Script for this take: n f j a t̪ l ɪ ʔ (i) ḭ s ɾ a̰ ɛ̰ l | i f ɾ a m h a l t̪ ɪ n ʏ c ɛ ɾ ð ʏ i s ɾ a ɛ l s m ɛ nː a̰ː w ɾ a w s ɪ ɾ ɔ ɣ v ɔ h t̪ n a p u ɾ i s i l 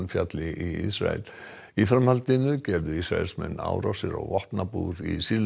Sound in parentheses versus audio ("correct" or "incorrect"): correct